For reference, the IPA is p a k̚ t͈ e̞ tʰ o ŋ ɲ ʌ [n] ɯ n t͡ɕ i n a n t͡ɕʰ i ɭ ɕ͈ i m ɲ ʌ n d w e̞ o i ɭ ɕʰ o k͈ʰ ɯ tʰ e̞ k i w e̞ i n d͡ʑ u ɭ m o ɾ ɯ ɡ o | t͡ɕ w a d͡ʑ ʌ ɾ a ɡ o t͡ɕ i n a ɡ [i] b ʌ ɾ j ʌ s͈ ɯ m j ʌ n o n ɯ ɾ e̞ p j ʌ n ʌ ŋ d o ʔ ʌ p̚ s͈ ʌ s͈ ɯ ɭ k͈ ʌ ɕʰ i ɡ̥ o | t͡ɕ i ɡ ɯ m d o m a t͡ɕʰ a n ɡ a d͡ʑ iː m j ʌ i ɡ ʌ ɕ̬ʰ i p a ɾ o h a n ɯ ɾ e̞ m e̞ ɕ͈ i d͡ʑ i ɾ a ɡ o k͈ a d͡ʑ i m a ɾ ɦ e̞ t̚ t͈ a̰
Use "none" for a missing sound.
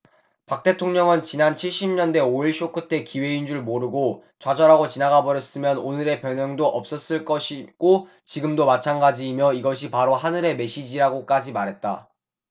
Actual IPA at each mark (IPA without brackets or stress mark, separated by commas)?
ŋ, a